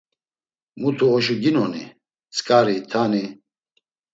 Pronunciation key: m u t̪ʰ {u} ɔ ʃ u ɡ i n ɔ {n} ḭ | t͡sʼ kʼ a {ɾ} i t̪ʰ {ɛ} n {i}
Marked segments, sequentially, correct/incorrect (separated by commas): correct, correct, correct, incorrect, correct